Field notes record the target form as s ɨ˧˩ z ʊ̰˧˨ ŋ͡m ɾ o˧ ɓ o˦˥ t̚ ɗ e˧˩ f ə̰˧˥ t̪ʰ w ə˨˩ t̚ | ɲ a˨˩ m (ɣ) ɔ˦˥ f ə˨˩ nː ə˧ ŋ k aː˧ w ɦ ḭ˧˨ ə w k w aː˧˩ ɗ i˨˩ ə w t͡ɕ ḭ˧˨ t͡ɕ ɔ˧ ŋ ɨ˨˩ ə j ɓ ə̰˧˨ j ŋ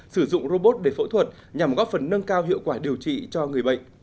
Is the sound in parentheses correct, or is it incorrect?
correct